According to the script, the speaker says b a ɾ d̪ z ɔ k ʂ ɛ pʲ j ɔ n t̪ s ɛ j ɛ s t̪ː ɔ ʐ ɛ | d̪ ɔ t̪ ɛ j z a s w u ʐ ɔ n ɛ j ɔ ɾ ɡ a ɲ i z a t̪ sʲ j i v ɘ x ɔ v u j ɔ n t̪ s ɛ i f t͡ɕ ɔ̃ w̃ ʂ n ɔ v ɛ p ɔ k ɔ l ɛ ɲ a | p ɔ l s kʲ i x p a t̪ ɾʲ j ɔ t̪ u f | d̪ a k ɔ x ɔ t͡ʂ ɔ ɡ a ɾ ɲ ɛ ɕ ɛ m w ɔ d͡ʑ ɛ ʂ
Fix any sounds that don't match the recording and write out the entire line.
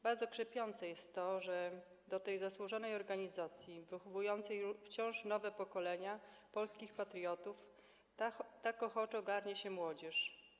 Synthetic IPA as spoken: b a ɾ d̪ z ɔ k ʂ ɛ pʲ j ɔ n t̪ s ɛ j ɛ s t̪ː ɔ ʐ ɛ | d̪ ɔ t̪ ɛ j z a s w u ʐ ɔ n ɛ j ɔ ɾ ɡ a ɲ i z a t̪ sʲ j i v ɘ x ɔ v u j ɔ n t̪ s ɛ j f t͡ɕ ɔ̃ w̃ ʂ n ɔ v ɛ p ɔ k ɔ l ɛ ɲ a | p ɔ l s kʲ i x p a t̪ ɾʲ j ɔ t̪ u f | t̪ a k ɔ x ɔ t͡ʂ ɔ ɡ a ɾ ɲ ɛ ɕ ɛ m w ɔ d͡ʑ ɛ ʂ